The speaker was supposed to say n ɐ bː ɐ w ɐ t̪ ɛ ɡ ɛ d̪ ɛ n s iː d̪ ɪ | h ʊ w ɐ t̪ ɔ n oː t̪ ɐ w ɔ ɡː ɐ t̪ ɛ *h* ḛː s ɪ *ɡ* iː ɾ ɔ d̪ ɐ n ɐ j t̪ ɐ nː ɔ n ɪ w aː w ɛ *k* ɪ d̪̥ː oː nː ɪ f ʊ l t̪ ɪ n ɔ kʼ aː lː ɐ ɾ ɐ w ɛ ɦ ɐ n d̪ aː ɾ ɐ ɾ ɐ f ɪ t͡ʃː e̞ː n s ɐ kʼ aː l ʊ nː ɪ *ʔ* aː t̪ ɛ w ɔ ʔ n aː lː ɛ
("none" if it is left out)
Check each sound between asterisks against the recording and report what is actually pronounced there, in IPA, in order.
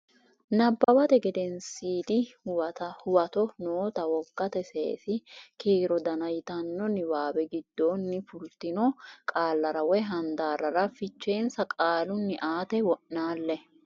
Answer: s, k, ɡ, ʔ

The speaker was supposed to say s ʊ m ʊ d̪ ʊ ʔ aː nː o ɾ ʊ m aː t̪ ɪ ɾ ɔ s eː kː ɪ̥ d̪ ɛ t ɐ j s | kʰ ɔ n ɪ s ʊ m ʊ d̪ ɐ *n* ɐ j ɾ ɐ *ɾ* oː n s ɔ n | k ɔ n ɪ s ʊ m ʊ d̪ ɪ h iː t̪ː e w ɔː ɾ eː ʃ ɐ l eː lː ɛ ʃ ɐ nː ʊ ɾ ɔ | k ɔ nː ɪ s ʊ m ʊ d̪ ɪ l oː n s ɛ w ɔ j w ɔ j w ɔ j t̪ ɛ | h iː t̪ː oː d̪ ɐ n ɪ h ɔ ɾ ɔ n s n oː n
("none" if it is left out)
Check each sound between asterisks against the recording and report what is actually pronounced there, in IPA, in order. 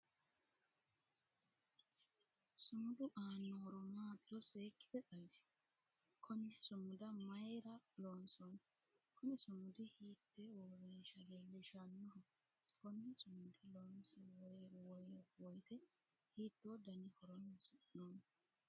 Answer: m, l

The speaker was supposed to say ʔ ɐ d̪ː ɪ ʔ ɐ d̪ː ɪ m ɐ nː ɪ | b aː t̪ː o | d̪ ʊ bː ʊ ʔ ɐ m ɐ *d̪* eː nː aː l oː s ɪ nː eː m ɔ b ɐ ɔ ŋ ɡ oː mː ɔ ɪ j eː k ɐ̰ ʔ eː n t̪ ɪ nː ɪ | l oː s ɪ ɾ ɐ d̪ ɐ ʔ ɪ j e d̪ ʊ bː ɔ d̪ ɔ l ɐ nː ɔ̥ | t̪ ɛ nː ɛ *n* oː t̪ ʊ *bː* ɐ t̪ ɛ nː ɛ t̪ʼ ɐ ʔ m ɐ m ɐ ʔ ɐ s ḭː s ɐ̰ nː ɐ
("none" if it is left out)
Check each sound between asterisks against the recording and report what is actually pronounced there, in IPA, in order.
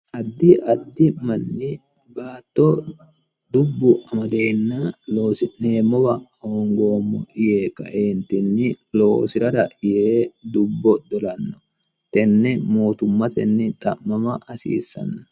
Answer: d̪, m, mː

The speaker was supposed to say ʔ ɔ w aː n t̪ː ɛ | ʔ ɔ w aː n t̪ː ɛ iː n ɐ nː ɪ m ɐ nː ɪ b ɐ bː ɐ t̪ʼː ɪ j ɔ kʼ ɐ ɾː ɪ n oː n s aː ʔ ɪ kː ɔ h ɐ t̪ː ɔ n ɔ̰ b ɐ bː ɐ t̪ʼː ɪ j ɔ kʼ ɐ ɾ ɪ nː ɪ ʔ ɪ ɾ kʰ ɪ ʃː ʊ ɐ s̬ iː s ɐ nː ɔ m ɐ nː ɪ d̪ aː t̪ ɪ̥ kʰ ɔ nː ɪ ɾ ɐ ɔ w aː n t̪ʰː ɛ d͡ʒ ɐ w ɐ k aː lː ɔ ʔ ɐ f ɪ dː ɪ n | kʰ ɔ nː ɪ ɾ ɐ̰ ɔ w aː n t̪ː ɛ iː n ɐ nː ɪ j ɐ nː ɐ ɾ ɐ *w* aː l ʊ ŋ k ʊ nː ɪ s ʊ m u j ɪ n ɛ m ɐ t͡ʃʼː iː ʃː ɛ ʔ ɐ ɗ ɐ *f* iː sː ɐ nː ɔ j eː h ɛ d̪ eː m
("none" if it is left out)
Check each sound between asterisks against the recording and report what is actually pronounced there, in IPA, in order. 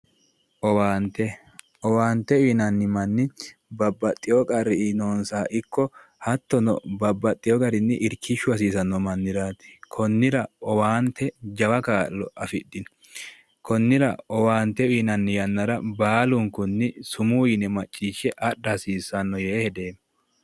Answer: b, s

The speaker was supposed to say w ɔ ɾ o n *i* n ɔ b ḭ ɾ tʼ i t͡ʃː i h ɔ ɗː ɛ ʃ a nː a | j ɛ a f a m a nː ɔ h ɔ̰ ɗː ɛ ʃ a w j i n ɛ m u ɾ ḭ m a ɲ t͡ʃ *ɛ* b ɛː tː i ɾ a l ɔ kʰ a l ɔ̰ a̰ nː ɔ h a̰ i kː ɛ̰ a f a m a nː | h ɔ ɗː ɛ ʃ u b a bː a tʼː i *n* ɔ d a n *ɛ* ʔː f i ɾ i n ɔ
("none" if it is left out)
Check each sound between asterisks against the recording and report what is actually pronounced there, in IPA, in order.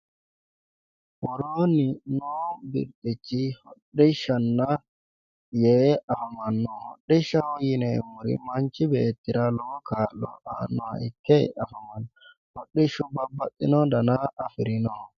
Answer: i, i, n, a

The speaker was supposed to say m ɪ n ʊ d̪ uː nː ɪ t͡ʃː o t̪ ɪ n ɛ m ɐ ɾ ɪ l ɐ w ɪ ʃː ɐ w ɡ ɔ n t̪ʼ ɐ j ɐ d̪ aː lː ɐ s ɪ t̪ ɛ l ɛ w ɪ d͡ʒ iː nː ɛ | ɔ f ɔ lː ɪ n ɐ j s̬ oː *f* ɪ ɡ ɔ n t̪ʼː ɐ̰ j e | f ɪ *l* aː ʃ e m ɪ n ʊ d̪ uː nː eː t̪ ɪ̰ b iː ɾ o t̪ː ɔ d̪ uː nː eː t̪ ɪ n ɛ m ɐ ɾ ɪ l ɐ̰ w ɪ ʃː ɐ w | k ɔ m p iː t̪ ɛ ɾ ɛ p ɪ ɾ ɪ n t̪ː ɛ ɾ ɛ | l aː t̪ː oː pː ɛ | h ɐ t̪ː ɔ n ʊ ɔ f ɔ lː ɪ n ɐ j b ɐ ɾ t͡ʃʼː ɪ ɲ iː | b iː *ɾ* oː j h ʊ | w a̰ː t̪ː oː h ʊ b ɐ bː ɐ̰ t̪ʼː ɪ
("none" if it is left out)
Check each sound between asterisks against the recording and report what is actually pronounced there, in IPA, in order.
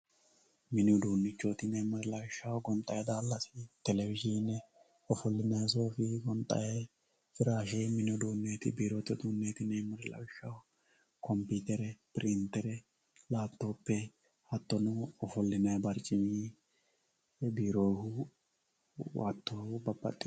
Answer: f, ɾ, ɾ

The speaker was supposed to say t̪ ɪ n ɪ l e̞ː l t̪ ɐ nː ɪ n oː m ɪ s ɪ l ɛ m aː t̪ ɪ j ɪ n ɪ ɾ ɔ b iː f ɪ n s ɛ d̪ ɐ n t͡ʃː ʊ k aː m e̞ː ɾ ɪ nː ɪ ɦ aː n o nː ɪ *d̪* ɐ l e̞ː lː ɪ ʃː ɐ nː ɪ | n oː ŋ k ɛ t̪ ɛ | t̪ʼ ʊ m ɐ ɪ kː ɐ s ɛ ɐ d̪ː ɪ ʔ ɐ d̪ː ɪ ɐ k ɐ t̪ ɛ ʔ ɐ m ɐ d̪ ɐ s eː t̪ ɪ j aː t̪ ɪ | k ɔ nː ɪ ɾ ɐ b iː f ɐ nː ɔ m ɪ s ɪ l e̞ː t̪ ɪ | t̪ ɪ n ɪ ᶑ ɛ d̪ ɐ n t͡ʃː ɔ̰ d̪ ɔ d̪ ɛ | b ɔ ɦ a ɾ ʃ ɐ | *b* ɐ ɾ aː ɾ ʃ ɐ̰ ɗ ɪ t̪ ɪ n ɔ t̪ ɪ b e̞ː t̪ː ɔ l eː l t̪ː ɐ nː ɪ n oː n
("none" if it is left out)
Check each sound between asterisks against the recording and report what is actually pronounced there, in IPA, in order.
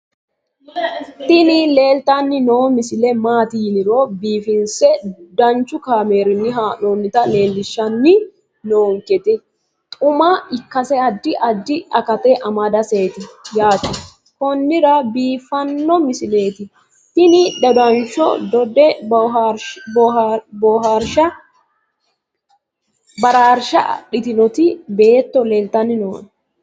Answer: t̪, b

